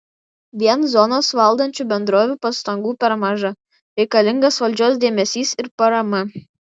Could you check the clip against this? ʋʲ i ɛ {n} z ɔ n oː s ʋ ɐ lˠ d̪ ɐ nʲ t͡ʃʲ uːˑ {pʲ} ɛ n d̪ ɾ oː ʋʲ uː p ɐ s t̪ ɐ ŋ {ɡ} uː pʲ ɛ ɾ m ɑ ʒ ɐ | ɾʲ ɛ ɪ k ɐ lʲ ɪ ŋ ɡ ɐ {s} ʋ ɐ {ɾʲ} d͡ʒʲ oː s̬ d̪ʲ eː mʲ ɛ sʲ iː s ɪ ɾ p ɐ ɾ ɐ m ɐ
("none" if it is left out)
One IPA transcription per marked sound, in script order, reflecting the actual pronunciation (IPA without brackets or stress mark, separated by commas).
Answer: n, bʲ, ɡ, s, lʲ